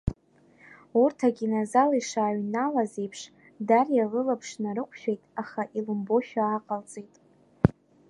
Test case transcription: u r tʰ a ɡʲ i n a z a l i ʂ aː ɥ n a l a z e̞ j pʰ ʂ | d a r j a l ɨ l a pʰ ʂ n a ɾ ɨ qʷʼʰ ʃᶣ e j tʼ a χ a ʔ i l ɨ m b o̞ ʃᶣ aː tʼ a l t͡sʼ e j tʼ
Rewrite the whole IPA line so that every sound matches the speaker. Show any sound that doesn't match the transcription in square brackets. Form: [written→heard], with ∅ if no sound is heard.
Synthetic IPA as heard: u r tʰ a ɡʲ i n a z a l i ʂ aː ɥ n a l a z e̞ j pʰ ʂ | d a r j a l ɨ l a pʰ ʂ n a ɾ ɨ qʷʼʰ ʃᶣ e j tʼ a χ a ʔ i l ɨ m b o̞ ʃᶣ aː [tʼ→qʼ] a l t͡sʼ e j tʼ